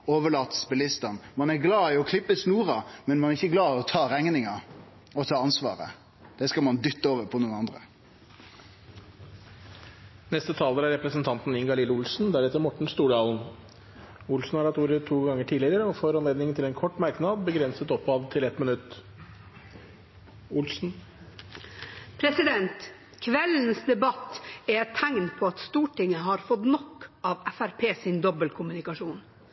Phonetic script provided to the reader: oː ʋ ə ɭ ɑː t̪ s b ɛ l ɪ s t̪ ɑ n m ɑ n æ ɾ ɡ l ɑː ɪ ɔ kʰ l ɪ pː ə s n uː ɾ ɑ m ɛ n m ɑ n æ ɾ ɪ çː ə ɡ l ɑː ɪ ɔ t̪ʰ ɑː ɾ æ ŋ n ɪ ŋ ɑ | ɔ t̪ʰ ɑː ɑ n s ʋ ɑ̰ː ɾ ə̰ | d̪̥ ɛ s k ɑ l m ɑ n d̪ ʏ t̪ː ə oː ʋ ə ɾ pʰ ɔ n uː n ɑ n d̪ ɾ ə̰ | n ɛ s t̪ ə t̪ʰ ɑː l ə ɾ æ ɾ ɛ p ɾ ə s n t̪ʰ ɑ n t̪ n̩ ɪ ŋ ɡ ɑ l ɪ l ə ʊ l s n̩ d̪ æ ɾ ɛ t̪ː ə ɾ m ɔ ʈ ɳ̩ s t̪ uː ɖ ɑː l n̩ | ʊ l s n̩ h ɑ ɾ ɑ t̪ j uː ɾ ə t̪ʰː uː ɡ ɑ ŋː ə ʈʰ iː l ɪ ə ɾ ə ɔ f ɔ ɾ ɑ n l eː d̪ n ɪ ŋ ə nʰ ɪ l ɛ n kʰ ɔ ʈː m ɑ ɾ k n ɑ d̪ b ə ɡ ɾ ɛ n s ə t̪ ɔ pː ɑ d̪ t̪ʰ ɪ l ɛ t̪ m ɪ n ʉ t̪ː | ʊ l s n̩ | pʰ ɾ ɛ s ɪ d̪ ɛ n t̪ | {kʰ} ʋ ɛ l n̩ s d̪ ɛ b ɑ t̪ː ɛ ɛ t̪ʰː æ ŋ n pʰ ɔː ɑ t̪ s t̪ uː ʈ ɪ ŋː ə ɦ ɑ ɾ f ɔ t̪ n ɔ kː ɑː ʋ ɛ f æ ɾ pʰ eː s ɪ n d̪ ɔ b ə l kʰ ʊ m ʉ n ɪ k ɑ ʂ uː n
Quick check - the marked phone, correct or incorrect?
correct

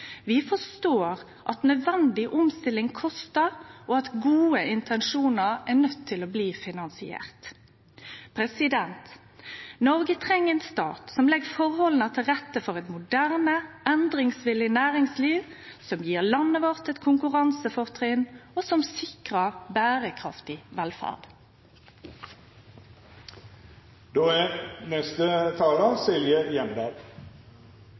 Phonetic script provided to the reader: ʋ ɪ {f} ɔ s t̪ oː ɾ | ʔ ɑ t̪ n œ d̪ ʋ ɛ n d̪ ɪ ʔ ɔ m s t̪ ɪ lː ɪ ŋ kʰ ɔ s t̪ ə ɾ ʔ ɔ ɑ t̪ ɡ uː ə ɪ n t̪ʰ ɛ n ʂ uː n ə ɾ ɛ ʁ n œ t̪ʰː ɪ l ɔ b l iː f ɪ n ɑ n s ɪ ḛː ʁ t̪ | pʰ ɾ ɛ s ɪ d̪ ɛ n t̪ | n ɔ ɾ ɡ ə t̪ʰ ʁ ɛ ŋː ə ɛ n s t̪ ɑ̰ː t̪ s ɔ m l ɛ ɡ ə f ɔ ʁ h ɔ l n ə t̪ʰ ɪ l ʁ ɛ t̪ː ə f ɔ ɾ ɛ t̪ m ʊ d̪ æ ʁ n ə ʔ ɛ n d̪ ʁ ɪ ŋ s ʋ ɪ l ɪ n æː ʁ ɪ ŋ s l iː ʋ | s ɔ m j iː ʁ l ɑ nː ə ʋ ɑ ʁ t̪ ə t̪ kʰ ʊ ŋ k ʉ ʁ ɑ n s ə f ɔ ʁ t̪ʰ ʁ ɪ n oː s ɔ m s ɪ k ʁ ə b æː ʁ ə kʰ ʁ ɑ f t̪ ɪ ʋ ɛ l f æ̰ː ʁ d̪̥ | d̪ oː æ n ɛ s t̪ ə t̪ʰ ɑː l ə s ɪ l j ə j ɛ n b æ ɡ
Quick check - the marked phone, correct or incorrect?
correct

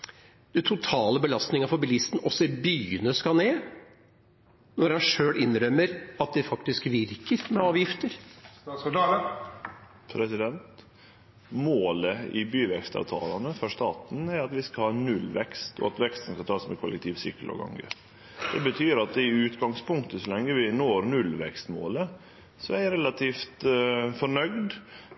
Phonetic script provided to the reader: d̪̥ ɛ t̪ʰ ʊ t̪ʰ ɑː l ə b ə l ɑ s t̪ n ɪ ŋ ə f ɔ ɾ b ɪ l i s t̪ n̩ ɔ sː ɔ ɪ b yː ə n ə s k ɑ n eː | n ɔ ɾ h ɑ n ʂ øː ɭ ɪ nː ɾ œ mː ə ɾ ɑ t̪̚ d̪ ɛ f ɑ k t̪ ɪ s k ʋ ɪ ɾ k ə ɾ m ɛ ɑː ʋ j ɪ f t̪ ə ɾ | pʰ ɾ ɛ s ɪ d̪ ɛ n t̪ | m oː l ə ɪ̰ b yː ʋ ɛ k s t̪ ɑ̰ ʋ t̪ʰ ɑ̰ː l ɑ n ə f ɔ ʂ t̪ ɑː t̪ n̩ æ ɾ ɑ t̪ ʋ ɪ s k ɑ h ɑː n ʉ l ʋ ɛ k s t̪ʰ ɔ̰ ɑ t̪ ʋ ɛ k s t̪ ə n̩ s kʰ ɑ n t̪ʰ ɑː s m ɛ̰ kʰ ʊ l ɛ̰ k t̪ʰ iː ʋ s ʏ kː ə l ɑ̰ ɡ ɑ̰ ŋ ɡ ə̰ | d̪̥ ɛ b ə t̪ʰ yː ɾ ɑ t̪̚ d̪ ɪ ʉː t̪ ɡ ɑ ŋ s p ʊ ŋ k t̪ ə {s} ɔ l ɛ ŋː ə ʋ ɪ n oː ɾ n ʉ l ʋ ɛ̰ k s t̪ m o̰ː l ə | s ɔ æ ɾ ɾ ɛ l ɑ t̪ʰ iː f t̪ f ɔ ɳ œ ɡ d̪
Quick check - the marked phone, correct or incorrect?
correct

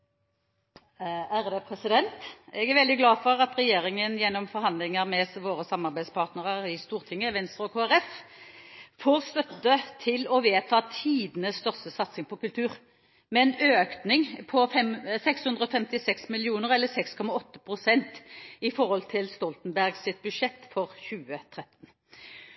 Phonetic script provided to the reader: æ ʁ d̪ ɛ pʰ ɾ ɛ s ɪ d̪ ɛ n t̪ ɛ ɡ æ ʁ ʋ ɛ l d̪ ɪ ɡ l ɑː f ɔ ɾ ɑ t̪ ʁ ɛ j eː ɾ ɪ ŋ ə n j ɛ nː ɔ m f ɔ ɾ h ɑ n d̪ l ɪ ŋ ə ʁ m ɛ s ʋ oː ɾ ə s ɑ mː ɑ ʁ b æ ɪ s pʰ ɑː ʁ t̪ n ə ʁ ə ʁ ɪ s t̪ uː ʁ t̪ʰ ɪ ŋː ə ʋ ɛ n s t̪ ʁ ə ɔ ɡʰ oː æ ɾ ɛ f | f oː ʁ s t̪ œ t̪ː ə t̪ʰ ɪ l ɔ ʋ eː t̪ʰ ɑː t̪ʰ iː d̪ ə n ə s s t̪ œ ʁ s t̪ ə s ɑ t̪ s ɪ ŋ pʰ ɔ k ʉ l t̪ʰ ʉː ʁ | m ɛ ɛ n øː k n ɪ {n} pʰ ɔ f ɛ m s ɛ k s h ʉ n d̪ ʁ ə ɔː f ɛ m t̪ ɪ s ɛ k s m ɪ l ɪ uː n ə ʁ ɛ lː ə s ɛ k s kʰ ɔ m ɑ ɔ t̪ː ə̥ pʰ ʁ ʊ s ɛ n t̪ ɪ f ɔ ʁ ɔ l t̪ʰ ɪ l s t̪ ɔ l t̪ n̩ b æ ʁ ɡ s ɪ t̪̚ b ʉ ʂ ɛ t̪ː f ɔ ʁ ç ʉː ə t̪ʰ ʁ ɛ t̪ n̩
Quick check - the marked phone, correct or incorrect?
incorrect: ŋ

